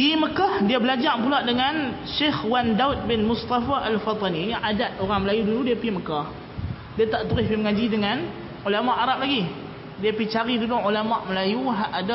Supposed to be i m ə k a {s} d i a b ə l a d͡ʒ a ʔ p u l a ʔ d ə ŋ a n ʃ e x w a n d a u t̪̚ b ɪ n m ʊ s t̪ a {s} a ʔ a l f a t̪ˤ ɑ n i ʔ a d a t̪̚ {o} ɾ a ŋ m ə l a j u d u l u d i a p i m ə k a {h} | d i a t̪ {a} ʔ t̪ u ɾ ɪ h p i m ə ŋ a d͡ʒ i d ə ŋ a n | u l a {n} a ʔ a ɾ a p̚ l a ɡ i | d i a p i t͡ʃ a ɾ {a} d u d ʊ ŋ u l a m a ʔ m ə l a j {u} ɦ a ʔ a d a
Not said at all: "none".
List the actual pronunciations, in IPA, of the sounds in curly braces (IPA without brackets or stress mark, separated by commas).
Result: h, f, o, h, a, m, i, u